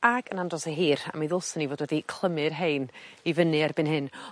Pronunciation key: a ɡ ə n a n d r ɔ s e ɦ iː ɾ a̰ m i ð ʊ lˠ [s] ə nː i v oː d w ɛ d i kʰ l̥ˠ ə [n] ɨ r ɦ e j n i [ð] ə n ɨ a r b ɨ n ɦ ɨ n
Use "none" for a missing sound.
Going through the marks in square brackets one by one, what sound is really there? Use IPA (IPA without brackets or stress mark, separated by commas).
s, m, v